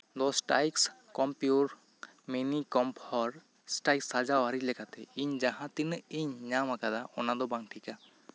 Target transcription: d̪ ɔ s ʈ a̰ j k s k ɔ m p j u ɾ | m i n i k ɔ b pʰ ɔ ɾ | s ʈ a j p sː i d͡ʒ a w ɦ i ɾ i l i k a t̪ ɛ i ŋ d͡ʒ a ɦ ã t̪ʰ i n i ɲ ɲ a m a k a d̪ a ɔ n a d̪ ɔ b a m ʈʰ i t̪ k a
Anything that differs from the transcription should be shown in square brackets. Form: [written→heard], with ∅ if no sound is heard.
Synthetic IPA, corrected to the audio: d̪ ɔ s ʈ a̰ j k s k ɔ m p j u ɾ | m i n i k ɔ [b→m] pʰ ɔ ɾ | s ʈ a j [p→k] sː [i→a] d͡ʒ a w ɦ [i→a] ɾ i l [i→ɛ] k a t̪ ɛ i [ŋ→ɲ] d͡ʒ a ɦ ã [t̪ʰ→t̪] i n i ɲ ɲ a m a k a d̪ a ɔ n a d̪ ɔ b a [m→ŋ] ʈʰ i [t̪→∅] k a